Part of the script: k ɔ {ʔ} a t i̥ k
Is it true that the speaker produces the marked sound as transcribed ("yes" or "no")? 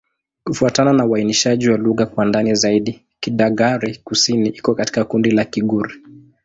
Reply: no